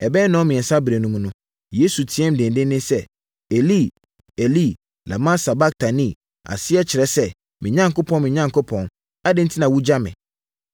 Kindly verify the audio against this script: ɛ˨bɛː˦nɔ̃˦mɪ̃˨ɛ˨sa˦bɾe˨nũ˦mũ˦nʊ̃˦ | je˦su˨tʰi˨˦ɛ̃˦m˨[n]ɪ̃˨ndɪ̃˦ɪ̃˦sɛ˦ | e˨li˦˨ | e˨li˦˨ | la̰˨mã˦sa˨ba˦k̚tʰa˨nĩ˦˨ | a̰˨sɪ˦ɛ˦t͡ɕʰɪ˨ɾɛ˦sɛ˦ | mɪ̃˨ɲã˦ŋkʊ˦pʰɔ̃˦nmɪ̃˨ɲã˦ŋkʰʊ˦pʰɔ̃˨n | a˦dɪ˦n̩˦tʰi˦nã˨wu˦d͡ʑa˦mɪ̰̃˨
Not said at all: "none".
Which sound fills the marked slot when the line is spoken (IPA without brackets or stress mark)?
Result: d